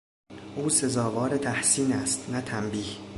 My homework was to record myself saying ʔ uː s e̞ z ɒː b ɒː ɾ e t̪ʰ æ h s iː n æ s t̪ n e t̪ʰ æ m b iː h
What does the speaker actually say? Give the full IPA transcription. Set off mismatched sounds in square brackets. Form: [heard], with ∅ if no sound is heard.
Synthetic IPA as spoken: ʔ uː s e̞ z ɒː [v] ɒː ɾ e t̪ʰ æ h s iː n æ s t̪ n [æ] t̪ʰ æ m b iː h